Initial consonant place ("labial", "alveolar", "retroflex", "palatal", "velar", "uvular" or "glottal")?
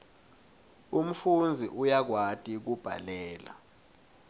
labial